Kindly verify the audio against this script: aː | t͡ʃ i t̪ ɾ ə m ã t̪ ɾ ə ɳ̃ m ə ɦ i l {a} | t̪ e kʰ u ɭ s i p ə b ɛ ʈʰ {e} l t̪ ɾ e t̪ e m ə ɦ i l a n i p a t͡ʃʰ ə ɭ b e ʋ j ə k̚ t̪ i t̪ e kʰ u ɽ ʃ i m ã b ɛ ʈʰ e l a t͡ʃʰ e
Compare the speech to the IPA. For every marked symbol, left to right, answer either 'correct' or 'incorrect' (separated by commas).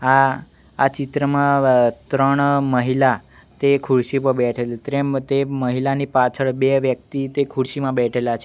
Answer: correct, correct